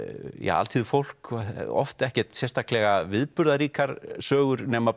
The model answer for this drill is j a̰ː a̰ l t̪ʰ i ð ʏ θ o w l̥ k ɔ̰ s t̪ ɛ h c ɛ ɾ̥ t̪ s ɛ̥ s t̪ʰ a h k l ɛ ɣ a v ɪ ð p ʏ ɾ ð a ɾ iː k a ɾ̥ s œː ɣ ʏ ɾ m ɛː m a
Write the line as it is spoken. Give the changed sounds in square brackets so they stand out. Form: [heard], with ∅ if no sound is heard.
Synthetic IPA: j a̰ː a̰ l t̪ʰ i ð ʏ [f] o w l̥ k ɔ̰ [f] t̪ ɛ h c ɛ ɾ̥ t̪ s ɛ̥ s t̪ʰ a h k l ɛ ɣ a v ɪ ð p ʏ ɾ ð a ɾ iː k a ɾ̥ s œː ɣ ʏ ɾ [n] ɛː m a

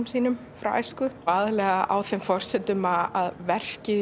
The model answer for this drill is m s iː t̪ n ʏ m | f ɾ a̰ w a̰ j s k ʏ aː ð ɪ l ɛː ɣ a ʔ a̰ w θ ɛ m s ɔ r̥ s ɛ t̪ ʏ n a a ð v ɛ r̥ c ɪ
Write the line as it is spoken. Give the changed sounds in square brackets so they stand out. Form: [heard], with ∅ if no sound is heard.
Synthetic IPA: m s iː [∅] n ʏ m | f ɾ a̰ w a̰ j s k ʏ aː ð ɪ l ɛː ɣ a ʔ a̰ w θ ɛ m [f] ɔ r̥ s ɛ t̪ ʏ [m] a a ð v ɛ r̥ c ɪ

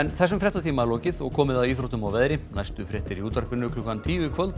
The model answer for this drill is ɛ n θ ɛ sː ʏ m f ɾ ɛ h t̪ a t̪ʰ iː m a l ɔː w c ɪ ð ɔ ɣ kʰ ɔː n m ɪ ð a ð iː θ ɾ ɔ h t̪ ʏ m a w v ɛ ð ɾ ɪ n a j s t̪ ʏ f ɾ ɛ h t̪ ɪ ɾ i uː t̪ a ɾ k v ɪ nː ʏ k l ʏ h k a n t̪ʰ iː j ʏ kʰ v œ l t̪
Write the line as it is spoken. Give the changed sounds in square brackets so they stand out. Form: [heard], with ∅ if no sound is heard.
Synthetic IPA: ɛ n θ ɛ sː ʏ m f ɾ ɛ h t̪ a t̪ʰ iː m a l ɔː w c ɪ ð ɔ ɣ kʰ ɔː [∅] m ɪ ð a ð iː θ ɾ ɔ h t̪ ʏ m a w v ɛ ð ɾ ɪ n a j s t̪ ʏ f ɾ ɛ h t̪ ɪ ɾ i uː t̪ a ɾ k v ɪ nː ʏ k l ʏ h k a n t̪ʰ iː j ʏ kʰ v œ l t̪

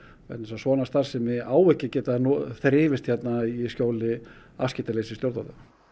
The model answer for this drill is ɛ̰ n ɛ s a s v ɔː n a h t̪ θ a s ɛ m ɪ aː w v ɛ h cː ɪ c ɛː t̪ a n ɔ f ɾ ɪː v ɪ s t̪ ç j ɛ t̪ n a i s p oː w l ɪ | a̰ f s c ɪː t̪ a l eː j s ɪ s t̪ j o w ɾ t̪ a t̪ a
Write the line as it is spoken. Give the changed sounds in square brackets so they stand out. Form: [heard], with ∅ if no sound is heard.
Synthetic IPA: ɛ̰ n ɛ s a s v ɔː n a [s] t̪ θ a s ɛ m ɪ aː w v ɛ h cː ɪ c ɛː t̪ a n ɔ [θ] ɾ ɪː v ɪ s t̪ ç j ɛ t̪ n a i s [c] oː w l ɪ | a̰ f s c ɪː t̪ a l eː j s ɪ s t̪ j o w ɾ t̪ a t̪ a

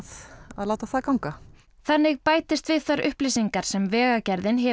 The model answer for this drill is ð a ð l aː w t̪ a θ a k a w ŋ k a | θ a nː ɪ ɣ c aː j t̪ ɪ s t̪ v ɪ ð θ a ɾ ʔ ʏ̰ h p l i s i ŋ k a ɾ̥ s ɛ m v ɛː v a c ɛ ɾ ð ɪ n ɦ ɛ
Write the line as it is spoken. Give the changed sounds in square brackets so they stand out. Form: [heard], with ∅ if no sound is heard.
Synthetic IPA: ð a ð l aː w t̪ a θ a k a w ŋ k a | θ a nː ɪ ɣ [p] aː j t̪ ɪ s t̪ v ɪ ð θ a ɾ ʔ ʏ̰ h p l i s i ŋ k a ɾ̥ s ɛ m v ɛː [ɣ] a c ɛ ɾ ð ɪ n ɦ ɛ

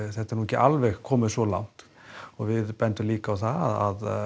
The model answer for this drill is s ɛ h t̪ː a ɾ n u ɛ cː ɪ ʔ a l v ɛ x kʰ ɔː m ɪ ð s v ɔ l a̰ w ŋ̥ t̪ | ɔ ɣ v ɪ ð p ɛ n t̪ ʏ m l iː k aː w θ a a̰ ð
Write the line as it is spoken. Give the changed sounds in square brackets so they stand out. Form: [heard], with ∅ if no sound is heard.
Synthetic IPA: [θ] ɛ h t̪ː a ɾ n u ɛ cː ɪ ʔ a l v ɛ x kʰ ɔː m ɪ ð s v ɔ l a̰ w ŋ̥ t̪ | ɔ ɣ v ɪ ð p ɛ n t̪ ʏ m l iː k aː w θ a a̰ ð

